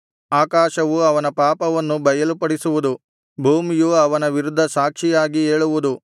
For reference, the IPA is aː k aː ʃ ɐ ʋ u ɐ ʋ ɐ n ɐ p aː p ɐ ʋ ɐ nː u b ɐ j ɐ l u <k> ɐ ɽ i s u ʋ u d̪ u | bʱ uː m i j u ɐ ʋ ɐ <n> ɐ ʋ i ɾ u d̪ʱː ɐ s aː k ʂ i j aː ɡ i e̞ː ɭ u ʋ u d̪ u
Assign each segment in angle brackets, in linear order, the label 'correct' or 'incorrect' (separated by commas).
incorrect, correct